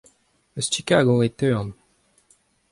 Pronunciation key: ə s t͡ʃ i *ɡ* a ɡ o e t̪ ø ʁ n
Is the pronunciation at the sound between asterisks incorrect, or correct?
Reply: incorrect